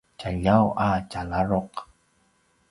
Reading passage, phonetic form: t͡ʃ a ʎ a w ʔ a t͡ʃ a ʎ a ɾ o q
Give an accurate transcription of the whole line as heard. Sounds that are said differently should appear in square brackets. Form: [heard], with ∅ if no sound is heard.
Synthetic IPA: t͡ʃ a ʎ a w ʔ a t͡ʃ a [l] a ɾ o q